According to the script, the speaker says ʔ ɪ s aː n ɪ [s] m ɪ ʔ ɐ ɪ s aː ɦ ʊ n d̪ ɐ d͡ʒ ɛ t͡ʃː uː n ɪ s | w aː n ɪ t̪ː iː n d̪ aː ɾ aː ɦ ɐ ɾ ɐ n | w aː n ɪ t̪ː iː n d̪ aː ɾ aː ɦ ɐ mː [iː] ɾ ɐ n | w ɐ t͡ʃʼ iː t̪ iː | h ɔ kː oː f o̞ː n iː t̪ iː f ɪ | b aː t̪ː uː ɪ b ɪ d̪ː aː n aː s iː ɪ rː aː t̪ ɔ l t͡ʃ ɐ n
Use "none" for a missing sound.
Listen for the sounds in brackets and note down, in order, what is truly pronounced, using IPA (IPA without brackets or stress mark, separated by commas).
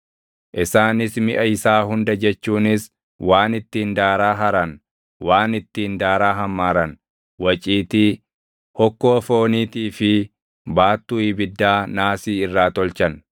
s, aː